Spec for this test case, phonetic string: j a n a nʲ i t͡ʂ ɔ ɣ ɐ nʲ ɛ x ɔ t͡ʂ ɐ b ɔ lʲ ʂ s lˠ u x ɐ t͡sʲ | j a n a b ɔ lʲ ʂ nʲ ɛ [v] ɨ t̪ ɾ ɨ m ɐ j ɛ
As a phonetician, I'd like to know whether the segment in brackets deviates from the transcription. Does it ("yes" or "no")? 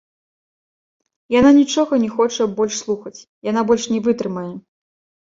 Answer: no